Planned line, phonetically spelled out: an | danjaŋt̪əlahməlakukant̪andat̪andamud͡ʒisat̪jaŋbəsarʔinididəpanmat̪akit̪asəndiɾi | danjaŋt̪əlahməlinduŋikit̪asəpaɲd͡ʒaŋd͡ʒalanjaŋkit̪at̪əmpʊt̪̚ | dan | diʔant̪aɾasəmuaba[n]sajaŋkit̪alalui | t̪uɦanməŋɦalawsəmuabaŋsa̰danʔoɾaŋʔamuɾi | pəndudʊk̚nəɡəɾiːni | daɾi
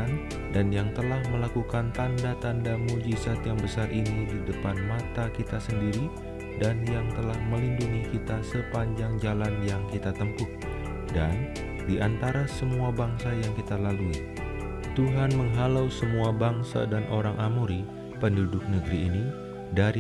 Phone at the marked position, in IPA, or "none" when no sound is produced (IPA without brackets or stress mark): ŋ